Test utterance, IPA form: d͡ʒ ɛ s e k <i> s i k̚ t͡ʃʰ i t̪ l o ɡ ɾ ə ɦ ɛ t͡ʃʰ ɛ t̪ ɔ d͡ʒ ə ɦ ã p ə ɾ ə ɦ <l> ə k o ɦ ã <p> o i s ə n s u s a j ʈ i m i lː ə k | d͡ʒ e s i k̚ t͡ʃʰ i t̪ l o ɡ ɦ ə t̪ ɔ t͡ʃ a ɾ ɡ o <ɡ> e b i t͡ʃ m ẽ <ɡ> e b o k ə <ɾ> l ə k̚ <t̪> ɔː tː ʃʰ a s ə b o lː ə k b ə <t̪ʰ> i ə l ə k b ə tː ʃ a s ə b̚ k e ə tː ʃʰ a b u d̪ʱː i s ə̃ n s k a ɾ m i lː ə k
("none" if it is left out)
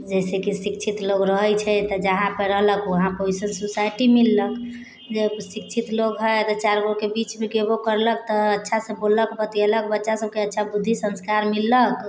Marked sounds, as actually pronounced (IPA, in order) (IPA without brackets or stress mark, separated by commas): i, l, p, k, ɡ, ɾ, t̪, t̪